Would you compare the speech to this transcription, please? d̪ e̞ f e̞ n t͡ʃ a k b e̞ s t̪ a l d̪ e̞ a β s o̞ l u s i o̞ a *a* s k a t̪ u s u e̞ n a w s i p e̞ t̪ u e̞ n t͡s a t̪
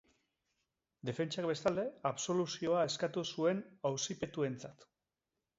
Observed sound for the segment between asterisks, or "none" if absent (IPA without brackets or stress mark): e